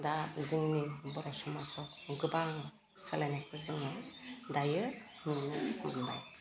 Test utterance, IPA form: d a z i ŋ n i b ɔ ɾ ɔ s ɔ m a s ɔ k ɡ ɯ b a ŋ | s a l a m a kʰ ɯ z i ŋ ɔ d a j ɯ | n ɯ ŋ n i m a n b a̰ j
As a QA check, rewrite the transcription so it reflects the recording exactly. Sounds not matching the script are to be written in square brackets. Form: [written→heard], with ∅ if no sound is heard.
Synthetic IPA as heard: d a z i ŋ n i b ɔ ɾ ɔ s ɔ m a s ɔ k ɡ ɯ b a ŋ | s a l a [m→n] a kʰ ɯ z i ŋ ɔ d a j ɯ | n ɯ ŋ n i m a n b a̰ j